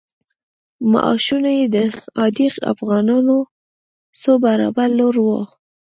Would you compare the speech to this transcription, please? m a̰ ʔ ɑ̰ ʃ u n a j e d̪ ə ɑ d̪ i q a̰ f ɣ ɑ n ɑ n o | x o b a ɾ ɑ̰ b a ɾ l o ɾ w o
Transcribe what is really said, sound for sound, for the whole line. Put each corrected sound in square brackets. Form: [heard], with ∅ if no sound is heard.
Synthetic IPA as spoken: m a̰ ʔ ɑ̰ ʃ u n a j e d̪ ə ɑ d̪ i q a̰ f ɣ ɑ n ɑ n o | [s] o b a ɾ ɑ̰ b a ɾ l o ɾ w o

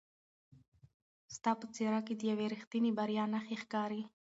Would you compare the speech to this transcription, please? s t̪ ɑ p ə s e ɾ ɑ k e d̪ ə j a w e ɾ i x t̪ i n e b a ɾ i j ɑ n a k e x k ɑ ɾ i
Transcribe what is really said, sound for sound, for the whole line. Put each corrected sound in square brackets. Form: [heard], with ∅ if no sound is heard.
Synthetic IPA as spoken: s t̪ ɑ p ə [t͡s] e ɾ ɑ k e d̪ ə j a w e ɾ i x t̪ i n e b a ɾ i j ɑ n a [x] e x k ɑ ɾ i

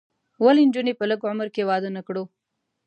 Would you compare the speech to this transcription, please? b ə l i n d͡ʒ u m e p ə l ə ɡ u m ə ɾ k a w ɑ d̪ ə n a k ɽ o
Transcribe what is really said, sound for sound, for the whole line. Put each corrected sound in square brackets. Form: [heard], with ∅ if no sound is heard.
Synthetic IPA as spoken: [w] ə l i n d͡ʒ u [n] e p ə l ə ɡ [ʊ] m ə ɾ k [e] w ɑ d̪ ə n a k ɽ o

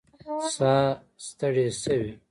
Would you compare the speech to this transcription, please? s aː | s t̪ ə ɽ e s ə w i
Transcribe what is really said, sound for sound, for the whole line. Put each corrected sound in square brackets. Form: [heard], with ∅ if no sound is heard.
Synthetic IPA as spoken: s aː | s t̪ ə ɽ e s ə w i

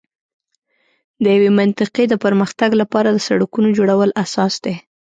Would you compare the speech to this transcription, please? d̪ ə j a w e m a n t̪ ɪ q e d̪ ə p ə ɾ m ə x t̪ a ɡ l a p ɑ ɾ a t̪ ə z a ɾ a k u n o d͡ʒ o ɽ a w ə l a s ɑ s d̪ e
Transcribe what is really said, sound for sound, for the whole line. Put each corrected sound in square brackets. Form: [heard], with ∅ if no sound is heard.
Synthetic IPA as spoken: d̪ ə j a w e m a n t̪ ɪ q e d̪ ə p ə ɾ m ə x t̪ a ɡ l a p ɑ ɾ a [d̪] ə [s] a [ɽ] a k u n o d͡ʒ o ɽ a w ə l a s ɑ s d̪ e

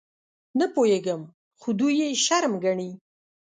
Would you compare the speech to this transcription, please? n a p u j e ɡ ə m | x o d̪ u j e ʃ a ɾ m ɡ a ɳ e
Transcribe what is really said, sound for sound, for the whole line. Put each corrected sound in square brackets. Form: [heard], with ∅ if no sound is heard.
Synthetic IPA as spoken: n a p [o] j e ɡ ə m | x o d̪ u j e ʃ a ɾ m ɡ a ɳ [i]

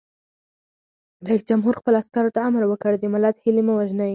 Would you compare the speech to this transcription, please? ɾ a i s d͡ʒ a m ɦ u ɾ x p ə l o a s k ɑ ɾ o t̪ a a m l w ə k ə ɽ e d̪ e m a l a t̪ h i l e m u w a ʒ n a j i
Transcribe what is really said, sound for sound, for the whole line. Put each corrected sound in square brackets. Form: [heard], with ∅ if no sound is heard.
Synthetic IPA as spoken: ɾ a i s d͡ʒ a m ɦ u ɾ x p ə l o a s k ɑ ɾ o t̪ a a m [ɾ] w ə k ə ɽ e d̪ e m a l a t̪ h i l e m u w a ʒ n a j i

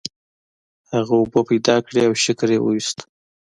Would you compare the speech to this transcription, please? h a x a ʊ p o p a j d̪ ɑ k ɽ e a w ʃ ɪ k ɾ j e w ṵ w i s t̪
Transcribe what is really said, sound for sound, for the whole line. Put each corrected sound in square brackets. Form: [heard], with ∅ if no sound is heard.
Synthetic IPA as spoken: h a [ɣ] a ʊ [b] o p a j d̪ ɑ k ɽ e a w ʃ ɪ k ɾ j e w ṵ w i s t̪

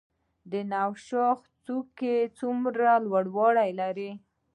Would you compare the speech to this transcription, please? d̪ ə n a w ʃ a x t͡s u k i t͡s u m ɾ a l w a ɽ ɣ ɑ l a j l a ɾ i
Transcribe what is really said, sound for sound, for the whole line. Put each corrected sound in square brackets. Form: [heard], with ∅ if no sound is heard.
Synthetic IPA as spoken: d̪ ə n a w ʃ [ɑ] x t͡s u k [e] t͡s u m ɾ a l w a ɽ [w] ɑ [ɽ] a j l a ɾ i

